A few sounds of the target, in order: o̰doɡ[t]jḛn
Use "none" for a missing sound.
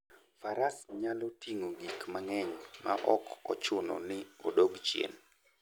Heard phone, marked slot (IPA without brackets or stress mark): t͡ʃ